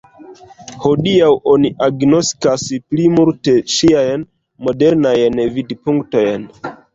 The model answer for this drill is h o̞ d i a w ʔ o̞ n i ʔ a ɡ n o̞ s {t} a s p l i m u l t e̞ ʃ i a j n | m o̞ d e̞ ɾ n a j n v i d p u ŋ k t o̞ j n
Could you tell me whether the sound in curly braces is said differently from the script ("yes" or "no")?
yes